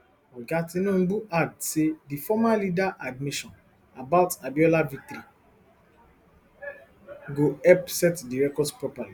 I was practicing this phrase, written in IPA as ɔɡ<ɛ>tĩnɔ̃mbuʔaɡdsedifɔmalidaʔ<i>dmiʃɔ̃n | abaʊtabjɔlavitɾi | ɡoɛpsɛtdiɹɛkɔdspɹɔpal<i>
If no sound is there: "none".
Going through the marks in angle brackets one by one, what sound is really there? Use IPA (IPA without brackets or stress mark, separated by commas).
a, a, i